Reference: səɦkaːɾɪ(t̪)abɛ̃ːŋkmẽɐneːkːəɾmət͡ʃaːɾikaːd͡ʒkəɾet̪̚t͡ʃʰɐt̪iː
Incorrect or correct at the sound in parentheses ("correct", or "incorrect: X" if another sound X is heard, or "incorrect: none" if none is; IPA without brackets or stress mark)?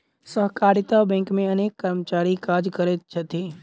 correct